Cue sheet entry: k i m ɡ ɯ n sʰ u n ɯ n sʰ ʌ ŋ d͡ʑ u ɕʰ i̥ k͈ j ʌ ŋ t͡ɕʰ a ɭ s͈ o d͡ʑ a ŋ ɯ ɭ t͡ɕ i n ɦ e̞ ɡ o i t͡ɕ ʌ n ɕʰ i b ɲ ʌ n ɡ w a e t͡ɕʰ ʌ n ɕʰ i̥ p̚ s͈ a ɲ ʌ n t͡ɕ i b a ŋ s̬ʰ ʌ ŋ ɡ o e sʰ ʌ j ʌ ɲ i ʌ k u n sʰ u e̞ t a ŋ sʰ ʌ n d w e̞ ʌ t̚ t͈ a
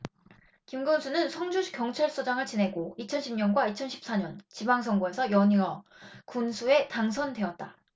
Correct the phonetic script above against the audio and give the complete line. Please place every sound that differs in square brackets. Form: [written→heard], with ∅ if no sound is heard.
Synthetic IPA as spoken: k i m ɡ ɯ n sʰ u n ɯ n sʰ ʌ ŋ d͡ʑ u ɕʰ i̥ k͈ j ʌ ŋ t͡ɕʰ a ɭ s͈ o d͡ʑ a ŋ ɯ ɭ t͡ɕ i n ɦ e̞ ɡ o i [t͡ɕ→t͡ɕʰ] ʌ n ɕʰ i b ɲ ʌ n ɡ w a [e→i] t͡ɕʰ ʌ n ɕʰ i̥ p̚ s͈ a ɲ ʌ n t͡ɕ i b a ŋ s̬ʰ ʌ ŋ ɡ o e sʰ ʌ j ʌ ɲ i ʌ k u n sʰ u e̞ t a ŋ sʰ ʌ n d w e̞ ʌ t̚ t͈ a